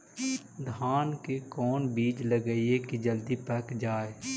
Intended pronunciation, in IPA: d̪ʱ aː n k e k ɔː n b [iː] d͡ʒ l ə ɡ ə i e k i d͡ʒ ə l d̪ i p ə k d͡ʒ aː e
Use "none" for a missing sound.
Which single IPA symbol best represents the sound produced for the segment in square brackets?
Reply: iː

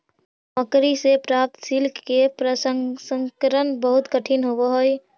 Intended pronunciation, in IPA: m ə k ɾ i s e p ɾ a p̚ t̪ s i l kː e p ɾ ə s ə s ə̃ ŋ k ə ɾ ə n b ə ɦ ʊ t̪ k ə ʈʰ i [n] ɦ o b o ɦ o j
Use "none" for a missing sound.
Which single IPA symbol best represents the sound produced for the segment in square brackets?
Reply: n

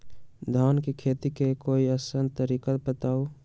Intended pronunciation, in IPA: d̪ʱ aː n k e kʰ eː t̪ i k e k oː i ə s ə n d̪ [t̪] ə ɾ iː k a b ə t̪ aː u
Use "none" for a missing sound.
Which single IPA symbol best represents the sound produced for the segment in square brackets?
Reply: t̪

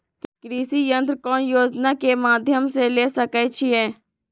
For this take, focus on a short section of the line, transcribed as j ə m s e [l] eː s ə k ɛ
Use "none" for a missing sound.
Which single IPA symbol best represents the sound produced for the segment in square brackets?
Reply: l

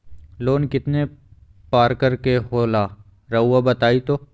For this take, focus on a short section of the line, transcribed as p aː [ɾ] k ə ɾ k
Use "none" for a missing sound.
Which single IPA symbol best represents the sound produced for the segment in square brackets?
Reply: ɾ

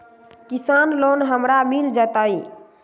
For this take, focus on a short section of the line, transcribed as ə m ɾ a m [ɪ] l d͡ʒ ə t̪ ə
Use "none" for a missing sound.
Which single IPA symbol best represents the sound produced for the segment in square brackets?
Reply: i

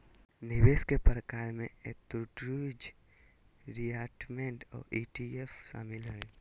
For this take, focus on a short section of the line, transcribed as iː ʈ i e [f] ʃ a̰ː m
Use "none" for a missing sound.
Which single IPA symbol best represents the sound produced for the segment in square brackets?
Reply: f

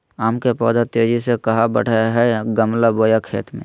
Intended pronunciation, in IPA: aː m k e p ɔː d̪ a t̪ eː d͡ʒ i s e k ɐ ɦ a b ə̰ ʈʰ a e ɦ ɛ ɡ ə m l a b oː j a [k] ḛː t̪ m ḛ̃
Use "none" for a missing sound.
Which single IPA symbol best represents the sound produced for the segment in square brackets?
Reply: kʰ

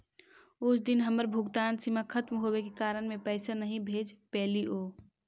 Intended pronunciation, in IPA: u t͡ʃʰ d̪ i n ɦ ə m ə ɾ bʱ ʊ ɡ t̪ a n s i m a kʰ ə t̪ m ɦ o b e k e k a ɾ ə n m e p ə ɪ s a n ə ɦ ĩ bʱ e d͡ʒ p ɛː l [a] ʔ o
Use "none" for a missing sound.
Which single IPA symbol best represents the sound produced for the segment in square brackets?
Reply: i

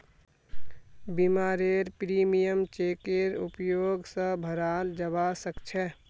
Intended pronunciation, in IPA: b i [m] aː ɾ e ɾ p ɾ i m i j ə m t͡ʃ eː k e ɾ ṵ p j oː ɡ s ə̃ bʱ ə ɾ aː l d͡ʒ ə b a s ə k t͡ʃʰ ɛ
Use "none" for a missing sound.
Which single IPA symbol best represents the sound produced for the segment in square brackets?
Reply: m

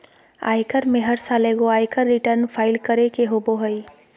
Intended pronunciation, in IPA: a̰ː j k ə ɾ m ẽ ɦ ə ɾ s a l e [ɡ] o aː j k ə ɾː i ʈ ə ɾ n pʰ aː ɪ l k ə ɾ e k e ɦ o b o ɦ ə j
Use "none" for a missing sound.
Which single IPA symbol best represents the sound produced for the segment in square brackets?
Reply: ɡ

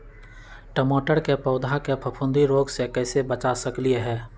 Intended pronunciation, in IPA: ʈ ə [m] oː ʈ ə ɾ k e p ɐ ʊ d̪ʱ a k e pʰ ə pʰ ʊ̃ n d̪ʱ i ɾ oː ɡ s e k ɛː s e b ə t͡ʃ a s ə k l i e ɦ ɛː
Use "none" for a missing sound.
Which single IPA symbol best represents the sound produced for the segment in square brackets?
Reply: m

